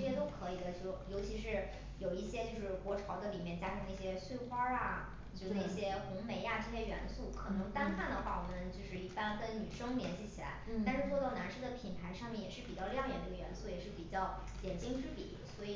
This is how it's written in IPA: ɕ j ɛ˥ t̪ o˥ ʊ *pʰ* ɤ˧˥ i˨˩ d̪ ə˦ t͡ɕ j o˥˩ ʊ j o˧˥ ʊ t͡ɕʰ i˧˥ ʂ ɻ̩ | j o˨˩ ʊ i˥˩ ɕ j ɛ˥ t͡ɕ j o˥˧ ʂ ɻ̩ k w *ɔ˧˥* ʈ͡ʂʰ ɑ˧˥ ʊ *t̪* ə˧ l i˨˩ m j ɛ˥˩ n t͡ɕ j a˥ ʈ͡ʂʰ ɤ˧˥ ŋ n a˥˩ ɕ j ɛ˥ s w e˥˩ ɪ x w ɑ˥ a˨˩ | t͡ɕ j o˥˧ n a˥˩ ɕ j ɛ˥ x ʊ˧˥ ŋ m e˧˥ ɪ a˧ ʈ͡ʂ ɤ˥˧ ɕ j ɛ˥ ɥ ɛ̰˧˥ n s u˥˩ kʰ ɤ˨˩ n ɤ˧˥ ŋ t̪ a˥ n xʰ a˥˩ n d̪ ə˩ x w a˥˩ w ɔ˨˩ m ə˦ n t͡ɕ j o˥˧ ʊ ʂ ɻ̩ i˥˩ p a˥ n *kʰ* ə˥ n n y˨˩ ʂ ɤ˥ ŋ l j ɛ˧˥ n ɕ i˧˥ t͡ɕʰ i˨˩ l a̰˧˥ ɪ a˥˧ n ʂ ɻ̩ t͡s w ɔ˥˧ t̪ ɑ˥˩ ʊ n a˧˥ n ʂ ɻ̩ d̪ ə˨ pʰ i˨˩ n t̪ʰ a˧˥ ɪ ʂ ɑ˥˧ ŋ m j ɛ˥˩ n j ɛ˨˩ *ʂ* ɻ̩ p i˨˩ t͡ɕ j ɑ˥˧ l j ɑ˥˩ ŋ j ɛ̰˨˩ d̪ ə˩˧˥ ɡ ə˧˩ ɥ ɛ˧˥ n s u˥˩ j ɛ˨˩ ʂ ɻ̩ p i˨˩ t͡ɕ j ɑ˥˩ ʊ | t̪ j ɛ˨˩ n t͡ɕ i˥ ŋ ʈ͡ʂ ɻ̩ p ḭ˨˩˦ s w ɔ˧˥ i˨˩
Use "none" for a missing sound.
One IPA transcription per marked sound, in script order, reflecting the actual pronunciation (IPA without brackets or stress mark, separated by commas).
kʰ, ɔ˧˥, d̪, k, ʂ